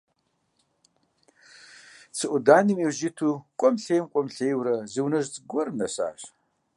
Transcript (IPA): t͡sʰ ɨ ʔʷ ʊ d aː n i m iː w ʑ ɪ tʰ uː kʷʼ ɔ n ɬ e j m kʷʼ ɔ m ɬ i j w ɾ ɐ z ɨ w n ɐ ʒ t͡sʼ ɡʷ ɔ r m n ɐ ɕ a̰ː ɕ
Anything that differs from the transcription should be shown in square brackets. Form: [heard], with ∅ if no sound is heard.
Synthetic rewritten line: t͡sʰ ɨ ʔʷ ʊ d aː n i m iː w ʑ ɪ tʰ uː kʷʼ ɔ [m] ɬ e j m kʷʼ ɔ m ɬ [e] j w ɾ ɐ z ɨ w n ɐ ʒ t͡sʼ ɡʷ ɔ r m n ɐ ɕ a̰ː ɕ

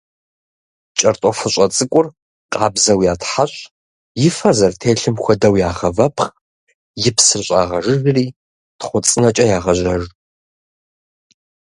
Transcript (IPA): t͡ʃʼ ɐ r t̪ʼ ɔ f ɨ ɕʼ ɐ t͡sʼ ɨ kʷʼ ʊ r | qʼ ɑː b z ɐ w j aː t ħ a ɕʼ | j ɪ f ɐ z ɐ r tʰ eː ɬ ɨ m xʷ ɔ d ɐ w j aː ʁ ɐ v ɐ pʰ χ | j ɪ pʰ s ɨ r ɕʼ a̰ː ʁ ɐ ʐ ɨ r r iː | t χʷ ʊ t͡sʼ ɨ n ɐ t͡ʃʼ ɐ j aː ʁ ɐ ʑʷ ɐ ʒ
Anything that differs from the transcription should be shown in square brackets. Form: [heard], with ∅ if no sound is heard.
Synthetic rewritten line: t͡ʃʼ ɐ r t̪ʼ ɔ f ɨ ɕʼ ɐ t͡sʼ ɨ kʷʼ ʊ r | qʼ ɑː b z ɐ w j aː t ħ a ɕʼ | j ɪ f ɐ z ɐ r tʰ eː ɬ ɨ m xʷ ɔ d ɐ w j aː ʁ ɐ v ɐ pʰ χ | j ɪ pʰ s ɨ r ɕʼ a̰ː ʁ ɐ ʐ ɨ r r iː | t χʷ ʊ t͡sʼ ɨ n ɐ t͡ʃʼ ɐ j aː ʁ ɐ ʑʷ ɐ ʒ

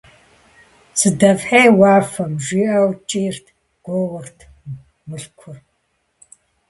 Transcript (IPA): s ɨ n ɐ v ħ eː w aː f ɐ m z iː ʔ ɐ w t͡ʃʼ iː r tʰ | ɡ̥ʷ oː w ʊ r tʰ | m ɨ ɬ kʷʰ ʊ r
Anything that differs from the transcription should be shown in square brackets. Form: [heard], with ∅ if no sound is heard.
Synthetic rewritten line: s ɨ [d] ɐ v ħ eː w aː f ɐ m [ʒ] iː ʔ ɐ w t͡ʃʼ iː r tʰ | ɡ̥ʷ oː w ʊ r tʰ | m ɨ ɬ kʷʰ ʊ r

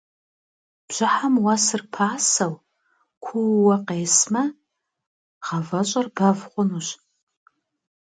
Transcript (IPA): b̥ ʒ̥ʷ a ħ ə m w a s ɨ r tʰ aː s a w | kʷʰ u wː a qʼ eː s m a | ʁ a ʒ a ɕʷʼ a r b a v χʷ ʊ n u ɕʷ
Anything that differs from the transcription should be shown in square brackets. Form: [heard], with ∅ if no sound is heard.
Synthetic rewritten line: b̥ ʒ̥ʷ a ħ [a] m w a s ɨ r [pʰ] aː s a w | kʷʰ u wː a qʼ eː s m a | ʁ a [v] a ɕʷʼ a r b a v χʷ ʊ n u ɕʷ

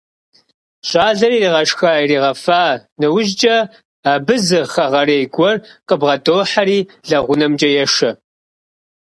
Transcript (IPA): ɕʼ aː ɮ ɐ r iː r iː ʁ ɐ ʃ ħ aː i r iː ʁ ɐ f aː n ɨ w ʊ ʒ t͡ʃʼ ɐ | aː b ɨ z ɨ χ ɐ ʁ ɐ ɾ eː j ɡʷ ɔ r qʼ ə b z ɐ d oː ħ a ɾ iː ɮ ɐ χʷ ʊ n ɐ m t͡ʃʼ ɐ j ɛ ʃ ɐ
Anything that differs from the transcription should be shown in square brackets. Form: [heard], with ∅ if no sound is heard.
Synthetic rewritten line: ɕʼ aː ɮ ɐ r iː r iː ʁ ɐ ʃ [x] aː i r iː ʁ ɐ f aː n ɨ w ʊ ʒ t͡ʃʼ ɐ | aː b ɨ z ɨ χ ɐ ʁ ɐ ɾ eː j ɡʷ ɔ r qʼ ə b [ʁ] ɐ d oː ħ a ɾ iː ɮ ɐ [ʁʷ] ʊ n ɐ m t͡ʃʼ ɐ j ɛ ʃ ɐ

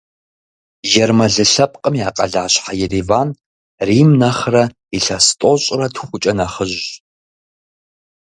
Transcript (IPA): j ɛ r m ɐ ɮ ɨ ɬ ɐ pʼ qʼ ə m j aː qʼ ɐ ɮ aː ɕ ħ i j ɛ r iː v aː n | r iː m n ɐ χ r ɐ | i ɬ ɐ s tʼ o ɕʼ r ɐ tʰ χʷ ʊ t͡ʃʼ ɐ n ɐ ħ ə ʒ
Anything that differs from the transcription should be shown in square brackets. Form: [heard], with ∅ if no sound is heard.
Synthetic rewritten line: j ɛ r m ɐ ɮ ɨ ɬ ɐ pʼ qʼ ə m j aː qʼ ɐ ɮ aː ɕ ħ [a] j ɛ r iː v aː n | r iː m n ɐ χ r ɐ | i ɬ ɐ s tʼ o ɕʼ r ɐ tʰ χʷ ʊ t͡ʃʼ ɐ n ɐ [χ] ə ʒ

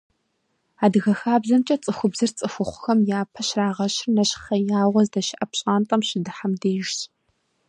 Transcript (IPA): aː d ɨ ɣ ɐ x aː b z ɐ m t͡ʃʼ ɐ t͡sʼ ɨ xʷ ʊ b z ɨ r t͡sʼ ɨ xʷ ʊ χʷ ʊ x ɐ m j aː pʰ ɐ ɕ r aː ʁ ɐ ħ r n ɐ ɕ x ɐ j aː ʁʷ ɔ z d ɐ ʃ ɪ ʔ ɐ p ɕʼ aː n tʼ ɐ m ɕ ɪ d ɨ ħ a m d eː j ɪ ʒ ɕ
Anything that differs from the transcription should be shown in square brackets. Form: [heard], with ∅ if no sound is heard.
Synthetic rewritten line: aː d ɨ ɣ ɐ x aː b z ɐ m t͡ʃʼ ɐ t͡sʼ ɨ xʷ ʊ b z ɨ r t͡sʼ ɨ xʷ ʊ χʷ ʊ x ɐ m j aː pʰ ɐ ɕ r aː ʁ ɐ [ɕ] r n ɐ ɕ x ɐ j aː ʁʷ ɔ z d ɐ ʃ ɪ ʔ ɐ p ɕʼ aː n tʼ ɐ m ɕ ɪ d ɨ ħ a m d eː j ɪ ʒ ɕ

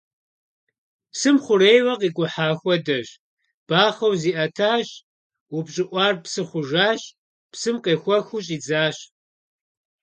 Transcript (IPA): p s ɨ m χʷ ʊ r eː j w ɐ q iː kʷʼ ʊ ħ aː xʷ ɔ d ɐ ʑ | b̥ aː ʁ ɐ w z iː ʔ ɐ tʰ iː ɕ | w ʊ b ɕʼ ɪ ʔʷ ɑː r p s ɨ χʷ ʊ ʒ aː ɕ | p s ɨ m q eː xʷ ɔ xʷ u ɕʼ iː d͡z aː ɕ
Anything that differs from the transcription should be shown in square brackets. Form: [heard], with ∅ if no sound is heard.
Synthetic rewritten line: p s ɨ m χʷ ʊ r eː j w ɐ q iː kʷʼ ʊ ħ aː xʷ ɔ d ɐ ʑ | b̥ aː [χ] ɐ w z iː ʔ ɐ tʰ [aː] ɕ | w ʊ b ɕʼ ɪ ʔʷ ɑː r p s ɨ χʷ ʊ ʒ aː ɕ | p s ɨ m q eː xʷ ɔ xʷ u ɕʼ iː d͡z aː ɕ

